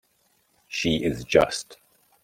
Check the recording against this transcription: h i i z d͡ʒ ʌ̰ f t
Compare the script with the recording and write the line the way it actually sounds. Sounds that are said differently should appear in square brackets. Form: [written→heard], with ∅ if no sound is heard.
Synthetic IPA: [h→ʃ] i [i→ɪ] z d͡ʒ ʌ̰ [f→s] t